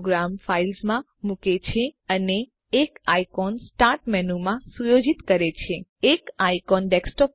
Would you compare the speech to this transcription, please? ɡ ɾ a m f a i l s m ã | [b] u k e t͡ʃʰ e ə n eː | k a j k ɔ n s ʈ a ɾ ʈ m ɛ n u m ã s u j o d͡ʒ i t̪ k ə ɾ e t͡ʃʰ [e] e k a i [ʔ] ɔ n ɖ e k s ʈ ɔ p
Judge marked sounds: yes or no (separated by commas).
no, yes, no